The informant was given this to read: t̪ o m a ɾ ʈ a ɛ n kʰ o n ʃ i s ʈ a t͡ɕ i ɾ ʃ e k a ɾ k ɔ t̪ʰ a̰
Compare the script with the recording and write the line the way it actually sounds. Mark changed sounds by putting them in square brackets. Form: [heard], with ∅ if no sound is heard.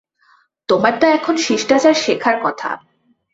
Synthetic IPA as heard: t̪ o m a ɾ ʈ a ɛ [∅] kʰ o n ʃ i [ʃ] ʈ a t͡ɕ [a] ɾ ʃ e [kʰ] a ɾ k ɔ t̪ʰ a̰